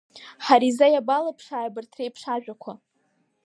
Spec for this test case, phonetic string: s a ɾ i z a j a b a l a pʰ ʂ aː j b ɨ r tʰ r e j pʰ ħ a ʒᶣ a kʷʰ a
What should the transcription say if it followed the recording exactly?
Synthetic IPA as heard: ħ a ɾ i z a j a b a l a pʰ ʂ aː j b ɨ r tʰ r e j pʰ ʂ a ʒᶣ a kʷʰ a